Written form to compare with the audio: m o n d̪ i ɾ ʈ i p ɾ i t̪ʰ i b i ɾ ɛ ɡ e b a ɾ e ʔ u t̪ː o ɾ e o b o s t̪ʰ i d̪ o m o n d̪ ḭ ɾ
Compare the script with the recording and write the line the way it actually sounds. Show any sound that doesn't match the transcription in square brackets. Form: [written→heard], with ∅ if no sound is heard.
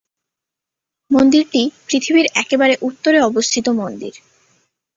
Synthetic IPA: m o n d̪ i ɾ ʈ i p ɾ i t̪ʰ i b i ɾ ɛ [ɡ→k] e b a ɾ e ʔ u t̪ː o ɾ e [o→ɔ] b o s t̪ʰ i [d̪→t̪] o m o n d̪ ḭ ɾ